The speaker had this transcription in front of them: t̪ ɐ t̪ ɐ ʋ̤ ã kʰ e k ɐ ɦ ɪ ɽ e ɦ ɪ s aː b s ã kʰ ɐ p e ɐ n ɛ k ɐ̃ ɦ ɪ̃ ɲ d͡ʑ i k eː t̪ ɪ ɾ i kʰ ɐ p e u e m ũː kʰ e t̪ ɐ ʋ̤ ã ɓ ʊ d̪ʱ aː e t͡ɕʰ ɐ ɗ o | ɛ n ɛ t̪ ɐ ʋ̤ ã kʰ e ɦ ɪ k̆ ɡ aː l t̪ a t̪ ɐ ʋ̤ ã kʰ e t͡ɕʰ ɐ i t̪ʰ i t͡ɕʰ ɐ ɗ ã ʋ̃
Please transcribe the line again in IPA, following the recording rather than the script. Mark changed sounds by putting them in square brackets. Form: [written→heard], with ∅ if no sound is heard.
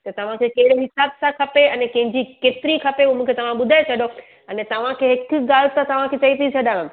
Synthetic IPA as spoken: t̪ ɐ t̪ ɐ ʋ̤ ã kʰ e k ɐ ɦ ɪ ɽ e ɦ ɪ s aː b s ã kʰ ɐ p e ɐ n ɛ k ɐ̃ ɦ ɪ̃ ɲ d͡ʑ i k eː t̪ ɪ ɾ i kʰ ɐ p e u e m ũː kʰ e t̪ ɐ ʋ̤ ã ɓ ʊ d̪ʱ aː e t͡ɕʰ ɐ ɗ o | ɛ n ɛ t̪ ɐ ʋ̤ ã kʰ e ɦ ɪ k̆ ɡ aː l t̪ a t̪ ɐ ʋ̤ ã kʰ e [t͡ɕʰ→t͡ɕ] ɐ i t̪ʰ i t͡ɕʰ ɐ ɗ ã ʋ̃